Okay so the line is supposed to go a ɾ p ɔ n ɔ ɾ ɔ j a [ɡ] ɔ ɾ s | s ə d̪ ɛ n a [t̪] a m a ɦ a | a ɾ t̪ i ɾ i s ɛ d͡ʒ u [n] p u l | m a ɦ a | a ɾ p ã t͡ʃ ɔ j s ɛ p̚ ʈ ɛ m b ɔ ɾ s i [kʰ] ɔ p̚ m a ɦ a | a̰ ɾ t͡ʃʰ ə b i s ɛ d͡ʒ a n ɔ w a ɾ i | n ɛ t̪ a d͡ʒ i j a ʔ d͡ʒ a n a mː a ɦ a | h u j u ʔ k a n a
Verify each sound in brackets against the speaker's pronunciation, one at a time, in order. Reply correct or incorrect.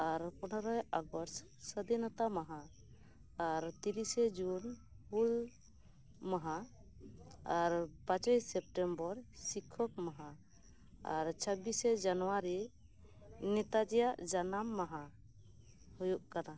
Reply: correct, correct, correct, correct

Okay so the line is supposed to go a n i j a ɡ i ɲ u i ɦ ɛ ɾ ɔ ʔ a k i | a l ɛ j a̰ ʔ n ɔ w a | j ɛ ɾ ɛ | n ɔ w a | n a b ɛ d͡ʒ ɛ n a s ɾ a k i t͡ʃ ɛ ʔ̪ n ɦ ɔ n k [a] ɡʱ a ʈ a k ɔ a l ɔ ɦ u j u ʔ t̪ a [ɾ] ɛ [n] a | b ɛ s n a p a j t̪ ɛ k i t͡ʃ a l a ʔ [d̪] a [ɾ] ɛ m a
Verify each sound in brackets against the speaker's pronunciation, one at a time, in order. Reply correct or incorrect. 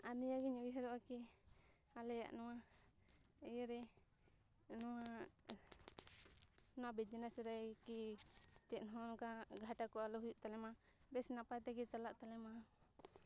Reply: correct, incorrect, incorrect, incorrect, incorrect

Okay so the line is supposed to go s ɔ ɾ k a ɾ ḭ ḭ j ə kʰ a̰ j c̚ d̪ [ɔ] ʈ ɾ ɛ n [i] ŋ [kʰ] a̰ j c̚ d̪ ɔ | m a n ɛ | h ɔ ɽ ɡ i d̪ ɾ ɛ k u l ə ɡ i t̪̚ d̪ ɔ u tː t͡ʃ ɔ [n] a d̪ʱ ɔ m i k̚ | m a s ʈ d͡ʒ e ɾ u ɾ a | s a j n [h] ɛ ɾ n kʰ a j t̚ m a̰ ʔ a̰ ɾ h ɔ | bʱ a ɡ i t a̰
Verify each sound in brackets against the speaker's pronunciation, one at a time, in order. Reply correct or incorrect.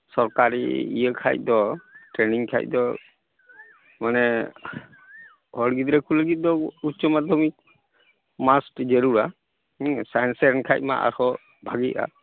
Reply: correct, correct, correct, incorrect, incorrect

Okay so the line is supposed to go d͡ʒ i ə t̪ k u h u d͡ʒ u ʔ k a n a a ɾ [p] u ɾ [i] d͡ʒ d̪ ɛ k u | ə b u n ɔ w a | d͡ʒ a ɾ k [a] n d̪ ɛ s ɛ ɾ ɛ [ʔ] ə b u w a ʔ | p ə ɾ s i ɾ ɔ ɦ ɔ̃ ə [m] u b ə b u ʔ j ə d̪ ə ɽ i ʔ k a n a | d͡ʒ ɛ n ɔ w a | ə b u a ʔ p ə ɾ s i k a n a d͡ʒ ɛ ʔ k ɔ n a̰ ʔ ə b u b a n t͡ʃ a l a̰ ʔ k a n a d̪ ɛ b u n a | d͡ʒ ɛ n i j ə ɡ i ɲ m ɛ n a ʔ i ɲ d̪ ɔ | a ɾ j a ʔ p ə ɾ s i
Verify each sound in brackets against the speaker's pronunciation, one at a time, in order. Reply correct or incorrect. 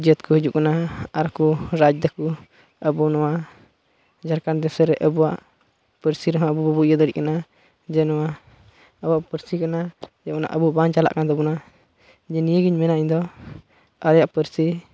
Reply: incorrect, incorrect, correct, correct, incorrect

